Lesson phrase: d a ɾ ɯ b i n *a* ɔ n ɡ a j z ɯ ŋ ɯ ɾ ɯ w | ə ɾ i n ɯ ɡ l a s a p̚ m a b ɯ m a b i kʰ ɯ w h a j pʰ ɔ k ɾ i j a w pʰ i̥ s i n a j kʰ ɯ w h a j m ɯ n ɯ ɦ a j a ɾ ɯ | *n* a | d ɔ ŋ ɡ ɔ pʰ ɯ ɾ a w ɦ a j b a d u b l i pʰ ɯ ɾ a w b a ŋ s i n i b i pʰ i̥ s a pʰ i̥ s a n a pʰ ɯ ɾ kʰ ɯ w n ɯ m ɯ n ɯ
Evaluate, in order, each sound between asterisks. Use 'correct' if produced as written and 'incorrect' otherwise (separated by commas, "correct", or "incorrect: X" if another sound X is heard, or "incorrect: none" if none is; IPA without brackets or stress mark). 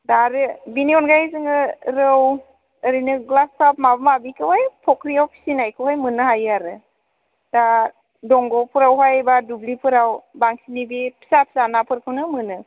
incorrect: i, incorrect: d